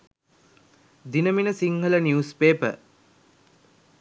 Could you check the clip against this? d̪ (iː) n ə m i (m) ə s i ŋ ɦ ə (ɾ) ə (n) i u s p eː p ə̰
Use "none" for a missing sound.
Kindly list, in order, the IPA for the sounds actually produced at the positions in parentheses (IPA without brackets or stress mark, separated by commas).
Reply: i, n, l, n